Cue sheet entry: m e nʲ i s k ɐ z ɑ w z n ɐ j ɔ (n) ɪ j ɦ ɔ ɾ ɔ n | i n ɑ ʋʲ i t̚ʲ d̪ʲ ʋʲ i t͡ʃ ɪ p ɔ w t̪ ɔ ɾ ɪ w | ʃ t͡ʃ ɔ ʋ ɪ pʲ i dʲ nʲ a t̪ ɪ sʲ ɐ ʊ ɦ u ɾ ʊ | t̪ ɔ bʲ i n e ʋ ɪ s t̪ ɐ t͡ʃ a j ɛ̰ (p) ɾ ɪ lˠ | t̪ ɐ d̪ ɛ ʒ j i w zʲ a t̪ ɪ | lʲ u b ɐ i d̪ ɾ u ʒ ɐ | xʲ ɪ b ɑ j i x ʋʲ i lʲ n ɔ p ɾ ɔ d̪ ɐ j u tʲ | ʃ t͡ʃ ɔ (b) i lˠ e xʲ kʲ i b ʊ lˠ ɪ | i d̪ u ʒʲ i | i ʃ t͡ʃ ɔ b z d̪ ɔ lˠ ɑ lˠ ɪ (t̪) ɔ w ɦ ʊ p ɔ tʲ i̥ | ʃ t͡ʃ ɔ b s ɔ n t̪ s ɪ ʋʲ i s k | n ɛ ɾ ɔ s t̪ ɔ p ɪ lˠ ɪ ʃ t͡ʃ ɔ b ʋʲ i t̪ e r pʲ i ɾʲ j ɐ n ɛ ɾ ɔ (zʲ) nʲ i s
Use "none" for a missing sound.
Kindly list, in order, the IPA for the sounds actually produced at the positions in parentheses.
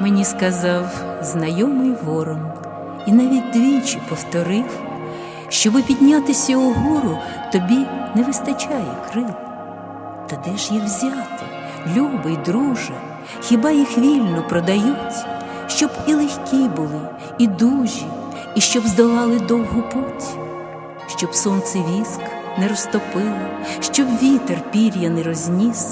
m, k, b, d̪, zʲ

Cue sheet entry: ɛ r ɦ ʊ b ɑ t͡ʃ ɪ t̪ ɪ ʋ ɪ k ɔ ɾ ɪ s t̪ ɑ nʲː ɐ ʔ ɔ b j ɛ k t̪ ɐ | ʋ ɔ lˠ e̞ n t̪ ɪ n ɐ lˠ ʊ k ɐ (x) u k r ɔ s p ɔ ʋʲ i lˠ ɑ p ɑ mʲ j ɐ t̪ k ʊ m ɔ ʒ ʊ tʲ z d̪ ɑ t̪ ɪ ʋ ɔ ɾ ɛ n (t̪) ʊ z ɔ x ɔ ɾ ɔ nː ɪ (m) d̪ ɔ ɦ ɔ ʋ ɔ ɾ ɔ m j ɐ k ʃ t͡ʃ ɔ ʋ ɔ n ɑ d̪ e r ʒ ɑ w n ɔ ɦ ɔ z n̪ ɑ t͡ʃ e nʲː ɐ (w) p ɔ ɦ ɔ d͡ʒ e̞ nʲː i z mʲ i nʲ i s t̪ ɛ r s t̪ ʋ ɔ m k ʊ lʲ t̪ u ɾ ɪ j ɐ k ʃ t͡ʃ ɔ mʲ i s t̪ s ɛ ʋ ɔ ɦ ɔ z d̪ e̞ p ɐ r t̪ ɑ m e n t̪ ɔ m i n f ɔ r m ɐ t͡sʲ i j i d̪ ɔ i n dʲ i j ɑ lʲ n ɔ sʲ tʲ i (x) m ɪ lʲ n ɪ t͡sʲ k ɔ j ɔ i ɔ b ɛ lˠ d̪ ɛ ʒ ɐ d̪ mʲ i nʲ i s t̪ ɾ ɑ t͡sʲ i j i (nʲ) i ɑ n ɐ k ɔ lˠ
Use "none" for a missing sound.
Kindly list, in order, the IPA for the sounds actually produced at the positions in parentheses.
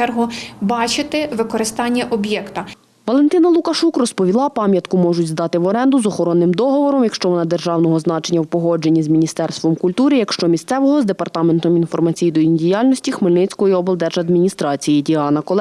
ʃ, d̪, m, w, x, dʲ

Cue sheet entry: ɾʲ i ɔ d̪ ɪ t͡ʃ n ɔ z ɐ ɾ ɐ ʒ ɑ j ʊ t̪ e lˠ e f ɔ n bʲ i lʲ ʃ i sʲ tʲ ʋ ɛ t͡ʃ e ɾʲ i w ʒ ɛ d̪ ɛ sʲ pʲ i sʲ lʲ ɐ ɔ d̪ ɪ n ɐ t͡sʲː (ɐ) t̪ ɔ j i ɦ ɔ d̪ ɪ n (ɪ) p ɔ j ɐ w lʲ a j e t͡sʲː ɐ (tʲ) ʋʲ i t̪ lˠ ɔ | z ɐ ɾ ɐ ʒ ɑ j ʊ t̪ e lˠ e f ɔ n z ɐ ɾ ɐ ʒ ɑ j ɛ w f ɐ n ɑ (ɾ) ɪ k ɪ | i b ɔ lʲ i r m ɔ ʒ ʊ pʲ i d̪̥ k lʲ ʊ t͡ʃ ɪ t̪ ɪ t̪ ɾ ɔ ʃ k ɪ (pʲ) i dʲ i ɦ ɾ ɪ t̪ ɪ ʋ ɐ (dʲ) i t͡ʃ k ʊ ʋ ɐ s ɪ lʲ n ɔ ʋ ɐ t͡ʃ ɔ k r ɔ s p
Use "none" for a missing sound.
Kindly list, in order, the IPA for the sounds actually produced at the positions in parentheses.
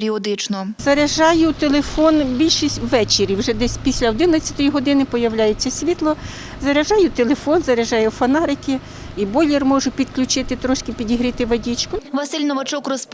ɐ, ɪ, sʲ, ɾ, pʲ, dʲ

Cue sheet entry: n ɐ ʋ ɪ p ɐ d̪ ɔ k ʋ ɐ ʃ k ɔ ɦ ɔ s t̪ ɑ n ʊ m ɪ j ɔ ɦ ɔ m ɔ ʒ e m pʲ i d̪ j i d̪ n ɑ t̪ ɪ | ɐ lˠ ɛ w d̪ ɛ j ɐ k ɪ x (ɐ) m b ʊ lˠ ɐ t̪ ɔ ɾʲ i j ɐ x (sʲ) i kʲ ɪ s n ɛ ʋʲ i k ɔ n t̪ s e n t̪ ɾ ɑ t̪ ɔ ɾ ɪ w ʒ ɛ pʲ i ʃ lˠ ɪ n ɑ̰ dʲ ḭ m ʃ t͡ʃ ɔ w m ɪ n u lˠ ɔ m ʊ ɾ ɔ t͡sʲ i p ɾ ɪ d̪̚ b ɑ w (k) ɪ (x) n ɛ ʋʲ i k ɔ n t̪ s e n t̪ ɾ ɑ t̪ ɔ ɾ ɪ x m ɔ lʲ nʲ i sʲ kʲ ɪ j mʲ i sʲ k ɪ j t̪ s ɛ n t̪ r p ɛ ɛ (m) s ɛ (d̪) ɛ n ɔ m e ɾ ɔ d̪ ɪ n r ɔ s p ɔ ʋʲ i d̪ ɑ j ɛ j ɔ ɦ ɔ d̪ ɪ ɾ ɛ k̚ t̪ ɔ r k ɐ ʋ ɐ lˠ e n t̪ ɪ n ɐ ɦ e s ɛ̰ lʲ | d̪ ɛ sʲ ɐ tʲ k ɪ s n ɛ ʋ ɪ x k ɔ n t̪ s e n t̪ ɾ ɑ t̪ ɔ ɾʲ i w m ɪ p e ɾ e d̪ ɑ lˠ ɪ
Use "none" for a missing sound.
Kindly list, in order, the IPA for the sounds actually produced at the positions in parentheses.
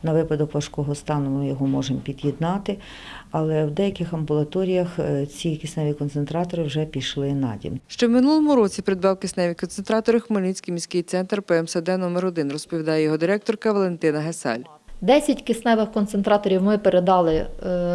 ɐ, t͡sʲ, k, s, m, d̪

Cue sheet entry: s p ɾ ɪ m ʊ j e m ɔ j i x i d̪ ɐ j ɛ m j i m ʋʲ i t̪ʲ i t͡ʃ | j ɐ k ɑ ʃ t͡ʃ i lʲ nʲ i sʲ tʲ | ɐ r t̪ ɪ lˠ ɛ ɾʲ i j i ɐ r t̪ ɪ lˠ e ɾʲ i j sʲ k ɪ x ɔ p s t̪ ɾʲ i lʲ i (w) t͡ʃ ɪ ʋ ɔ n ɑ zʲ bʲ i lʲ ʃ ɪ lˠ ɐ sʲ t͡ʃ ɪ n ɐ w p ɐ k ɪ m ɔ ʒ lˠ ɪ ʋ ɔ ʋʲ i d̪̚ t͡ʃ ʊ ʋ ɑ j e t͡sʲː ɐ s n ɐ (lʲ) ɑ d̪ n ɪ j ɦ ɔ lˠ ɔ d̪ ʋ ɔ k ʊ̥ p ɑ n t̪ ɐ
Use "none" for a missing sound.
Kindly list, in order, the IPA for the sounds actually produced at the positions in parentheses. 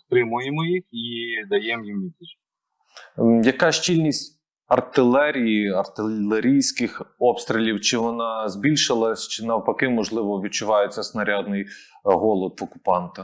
w, ɾʲ

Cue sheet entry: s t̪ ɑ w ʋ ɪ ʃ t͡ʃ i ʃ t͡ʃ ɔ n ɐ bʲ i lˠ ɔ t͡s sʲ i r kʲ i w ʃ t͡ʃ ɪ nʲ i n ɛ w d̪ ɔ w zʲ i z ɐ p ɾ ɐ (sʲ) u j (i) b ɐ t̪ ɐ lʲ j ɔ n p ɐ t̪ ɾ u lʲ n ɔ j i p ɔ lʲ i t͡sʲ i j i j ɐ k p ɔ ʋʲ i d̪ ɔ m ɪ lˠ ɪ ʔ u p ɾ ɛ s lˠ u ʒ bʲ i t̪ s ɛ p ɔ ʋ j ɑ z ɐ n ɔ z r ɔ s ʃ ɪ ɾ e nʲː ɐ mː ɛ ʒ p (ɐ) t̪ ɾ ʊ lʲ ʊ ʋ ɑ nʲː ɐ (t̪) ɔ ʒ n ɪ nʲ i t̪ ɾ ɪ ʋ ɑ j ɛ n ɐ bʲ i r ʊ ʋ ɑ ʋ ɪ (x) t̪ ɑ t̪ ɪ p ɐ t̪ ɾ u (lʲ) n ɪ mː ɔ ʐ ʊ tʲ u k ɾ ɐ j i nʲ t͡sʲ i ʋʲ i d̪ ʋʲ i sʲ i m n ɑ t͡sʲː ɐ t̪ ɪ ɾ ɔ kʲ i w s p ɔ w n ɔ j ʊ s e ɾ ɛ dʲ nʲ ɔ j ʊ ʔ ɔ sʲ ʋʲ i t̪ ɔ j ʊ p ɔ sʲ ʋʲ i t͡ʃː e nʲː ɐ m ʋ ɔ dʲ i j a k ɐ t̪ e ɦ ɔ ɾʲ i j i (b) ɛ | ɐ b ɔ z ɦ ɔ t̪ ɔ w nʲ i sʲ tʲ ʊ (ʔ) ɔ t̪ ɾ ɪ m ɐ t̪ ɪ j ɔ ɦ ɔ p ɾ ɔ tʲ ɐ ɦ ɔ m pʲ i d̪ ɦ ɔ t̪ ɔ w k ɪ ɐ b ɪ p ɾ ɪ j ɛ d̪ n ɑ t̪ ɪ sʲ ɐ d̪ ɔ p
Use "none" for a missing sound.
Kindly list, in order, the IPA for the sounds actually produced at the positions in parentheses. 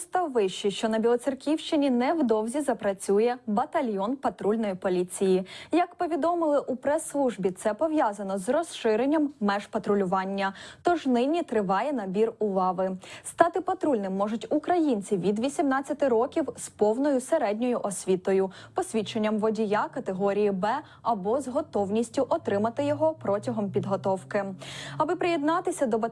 t͡sʲ, ɛ, ɐ, t̪, s, lʲ, b, ʔ

